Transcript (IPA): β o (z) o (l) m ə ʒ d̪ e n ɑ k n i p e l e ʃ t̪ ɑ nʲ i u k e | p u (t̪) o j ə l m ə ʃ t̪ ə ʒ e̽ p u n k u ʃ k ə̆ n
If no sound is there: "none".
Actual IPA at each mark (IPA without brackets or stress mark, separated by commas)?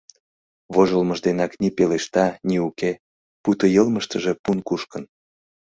ʒ, l, t̪